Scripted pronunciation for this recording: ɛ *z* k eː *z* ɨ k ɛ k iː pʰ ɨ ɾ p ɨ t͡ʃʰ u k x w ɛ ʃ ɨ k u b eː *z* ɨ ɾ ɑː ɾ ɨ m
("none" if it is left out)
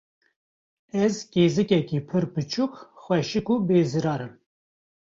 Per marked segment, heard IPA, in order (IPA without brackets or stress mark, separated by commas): z, z, z